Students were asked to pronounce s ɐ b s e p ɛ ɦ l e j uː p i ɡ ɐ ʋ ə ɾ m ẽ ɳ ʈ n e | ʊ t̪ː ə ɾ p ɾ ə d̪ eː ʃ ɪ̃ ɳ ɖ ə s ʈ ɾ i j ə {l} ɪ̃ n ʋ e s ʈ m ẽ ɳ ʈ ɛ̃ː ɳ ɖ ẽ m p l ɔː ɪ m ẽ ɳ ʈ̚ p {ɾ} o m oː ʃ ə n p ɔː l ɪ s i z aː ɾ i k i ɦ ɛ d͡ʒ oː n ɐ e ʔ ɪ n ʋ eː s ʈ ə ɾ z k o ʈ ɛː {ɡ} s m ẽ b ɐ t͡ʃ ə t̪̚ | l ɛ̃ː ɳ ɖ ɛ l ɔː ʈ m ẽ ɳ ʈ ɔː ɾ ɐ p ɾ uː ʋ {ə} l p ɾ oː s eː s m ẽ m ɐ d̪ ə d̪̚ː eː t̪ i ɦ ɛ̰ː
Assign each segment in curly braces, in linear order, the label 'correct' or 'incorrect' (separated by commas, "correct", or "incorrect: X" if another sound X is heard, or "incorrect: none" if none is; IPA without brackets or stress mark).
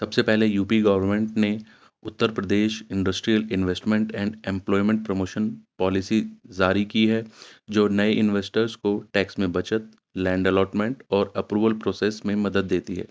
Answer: correct, correct, incorrect: k, correct